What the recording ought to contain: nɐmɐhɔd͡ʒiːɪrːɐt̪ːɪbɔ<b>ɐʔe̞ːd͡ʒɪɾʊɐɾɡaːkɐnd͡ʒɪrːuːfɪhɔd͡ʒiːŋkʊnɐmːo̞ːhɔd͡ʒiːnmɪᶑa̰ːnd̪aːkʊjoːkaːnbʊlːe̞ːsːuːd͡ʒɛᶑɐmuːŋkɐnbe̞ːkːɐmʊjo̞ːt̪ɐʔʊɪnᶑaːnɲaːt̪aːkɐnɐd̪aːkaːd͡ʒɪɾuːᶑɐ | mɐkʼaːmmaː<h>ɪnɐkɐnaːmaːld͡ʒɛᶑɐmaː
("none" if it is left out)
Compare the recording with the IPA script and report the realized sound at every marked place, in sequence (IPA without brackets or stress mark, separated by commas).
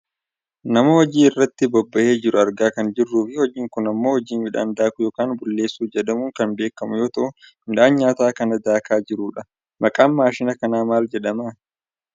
bː, ʃ